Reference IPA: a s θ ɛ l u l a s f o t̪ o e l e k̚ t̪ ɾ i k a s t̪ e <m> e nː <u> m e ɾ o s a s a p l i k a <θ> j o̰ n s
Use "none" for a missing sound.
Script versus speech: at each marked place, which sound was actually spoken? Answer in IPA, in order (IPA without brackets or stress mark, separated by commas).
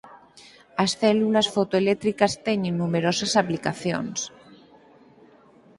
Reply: ɲ, u, θ